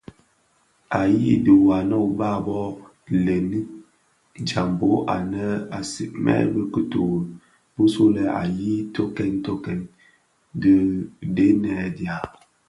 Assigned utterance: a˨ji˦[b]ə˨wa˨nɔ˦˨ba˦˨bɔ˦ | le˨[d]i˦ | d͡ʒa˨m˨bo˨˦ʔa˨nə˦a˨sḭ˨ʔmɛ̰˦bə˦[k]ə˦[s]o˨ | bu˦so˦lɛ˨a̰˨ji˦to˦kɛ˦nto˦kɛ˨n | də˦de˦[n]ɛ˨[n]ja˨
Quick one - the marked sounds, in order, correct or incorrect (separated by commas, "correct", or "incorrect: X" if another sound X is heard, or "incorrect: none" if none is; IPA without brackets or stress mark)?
incorrect: d, incorrect: n, correct, incorrect: t, correct, incorrect: d